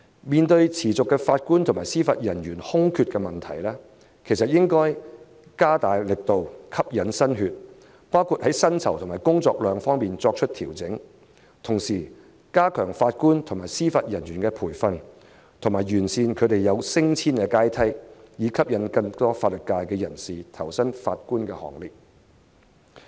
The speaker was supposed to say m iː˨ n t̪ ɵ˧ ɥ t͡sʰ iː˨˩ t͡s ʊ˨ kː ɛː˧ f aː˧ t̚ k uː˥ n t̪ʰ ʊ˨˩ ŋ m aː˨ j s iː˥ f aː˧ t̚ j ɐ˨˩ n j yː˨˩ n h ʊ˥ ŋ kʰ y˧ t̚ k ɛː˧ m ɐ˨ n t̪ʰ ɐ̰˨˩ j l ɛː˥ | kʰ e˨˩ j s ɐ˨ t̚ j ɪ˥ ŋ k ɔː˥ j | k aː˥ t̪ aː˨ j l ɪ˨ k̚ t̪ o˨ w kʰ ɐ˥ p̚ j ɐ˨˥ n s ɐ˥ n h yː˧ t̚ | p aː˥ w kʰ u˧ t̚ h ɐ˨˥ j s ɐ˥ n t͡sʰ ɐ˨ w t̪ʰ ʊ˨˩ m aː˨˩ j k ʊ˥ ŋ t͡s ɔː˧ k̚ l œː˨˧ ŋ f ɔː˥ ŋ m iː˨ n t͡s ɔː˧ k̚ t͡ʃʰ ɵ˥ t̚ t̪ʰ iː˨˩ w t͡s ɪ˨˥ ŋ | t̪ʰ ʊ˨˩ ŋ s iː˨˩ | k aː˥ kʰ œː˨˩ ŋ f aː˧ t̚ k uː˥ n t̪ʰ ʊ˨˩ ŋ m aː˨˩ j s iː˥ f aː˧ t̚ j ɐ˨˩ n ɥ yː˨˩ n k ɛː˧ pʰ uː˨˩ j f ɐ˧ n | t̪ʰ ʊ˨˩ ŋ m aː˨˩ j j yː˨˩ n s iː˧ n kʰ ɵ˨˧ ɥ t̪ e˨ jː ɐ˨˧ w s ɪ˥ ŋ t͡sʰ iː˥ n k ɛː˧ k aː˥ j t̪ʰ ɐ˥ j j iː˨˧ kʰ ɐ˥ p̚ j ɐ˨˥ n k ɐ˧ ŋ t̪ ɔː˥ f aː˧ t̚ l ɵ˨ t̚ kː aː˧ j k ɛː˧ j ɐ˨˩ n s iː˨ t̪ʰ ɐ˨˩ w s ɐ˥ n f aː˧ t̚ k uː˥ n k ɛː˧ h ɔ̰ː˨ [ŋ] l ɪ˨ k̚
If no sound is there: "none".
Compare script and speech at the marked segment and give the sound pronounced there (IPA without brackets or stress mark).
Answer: ŋ